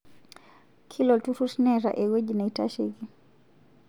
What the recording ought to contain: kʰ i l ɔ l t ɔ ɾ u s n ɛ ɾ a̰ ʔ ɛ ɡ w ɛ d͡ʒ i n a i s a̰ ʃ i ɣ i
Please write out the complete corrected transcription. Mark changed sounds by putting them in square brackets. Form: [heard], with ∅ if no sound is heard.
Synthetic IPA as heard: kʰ i l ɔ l t [u] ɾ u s n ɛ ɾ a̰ ʔ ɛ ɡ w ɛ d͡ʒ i n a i [t] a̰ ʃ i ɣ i